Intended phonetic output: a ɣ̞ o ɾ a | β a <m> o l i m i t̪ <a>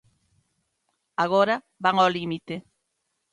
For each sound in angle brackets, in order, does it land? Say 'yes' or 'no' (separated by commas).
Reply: no, no